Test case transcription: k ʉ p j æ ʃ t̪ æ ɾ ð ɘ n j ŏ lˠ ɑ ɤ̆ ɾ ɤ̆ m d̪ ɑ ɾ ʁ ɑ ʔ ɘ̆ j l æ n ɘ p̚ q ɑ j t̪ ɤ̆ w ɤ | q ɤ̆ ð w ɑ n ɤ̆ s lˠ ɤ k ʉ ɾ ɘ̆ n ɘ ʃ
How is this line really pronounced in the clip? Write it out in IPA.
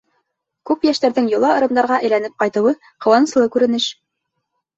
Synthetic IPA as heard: k ʉ p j æ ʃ t̪ æ ɾ ð ɘ ŋ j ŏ lˠ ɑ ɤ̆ ɾ ɤ̆ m d̪ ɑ ɾ ʁ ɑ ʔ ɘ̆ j l æ n ɘ p̚ q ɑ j t̪ ɤ̆ w ɤ | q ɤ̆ w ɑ n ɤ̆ s lˠ ɤ k ʉ ɾ ɘ̆ n ɘ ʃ